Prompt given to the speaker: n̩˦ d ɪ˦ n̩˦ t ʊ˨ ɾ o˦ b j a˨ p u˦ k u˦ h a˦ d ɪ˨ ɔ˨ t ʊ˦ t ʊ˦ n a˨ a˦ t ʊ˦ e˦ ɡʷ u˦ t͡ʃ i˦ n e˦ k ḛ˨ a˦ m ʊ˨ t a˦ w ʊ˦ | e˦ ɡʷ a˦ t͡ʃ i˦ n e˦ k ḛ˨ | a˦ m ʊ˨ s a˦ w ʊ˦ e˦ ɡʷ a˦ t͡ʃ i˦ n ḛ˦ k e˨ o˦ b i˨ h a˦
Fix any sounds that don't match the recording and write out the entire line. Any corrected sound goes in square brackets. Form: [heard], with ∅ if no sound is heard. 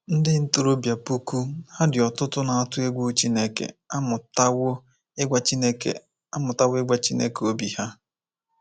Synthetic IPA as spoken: n̩˦ d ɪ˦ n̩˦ t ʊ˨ ɾ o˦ b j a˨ p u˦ k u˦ h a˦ d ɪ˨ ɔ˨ t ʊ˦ t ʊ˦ n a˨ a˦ t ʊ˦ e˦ ɡʷ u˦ t͡ʃ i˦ n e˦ k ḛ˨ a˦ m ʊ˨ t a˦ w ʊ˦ | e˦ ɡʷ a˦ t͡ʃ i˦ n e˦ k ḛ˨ | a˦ m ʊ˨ [t] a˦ w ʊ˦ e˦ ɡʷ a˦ t͡ʃ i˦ n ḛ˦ k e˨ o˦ b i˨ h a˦